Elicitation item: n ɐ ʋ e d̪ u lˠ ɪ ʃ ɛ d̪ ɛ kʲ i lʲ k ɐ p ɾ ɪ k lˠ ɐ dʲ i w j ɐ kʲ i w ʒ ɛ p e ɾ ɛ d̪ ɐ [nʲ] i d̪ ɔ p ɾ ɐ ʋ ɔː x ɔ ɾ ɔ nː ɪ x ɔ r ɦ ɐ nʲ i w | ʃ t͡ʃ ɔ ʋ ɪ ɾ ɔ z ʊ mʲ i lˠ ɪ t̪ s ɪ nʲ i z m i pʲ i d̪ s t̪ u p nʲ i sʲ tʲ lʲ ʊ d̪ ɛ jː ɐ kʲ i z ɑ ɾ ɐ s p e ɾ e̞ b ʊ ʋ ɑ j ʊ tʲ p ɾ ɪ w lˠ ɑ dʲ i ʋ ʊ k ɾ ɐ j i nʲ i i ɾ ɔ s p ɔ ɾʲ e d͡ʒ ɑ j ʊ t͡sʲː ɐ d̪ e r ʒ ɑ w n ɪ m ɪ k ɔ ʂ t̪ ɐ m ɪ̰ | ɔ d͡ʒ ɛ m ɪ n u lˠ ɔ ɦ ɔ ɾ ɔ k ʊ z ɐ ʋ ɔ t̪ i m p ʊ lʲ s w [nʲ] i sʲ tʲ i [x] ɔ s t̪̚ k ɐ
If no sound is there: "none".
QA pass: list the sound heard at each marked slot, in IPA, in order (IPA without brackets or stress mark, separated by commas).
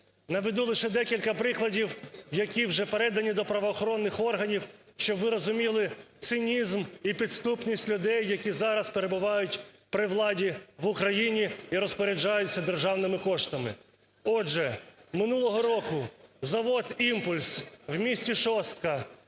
nʲ, mʲ, ʃ